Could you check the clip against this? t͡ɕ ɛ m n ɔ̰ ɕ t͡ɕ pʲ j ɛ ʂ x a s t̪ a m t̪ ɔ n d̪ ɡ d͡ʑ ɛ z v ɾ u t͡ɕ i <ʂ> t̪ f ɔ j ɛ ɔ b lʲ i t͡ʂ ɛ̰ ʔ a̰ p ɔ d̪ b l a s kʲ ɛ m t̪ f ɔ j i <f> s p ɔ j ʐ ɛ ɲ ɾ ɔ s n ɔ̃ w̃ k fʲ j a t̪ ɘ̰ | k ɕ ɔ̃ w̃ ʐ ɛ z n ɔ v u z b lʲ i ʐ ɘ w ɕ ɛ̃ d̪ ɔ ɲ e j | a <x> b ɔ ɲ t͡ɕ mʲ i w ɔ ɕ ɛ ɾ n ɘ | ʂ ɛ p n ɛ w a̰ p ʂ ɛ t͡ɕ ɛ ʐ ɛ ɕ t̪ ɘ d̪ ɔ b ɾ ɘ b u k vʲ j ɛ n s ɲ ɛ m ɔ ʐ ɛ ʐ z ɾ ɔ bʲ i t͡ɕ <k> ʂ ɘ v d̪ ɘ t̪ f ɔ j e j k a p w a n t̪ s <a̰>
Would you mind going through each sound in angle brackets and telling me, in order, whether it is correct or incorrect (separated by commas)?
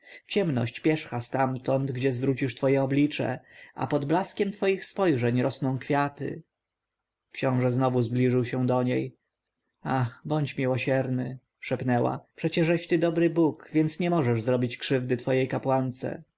correct, incorrect, correct, correct, incorrect